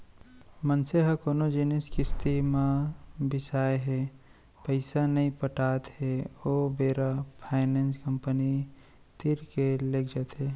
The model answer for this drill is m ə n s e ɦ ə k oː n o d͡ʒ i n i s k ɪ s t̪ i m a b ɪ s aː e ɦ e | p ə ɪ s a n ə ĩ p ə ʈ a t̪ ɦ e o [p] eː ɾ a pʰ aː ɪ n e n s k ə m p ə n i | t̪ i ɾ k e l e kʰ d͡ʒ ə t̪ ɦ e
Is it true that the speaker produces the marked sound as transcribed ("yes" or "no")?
no